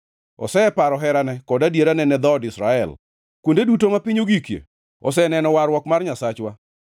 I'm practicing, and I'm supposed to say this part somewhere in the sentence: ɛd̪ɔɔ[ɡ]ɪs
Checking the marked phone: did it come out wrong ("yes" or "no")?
yes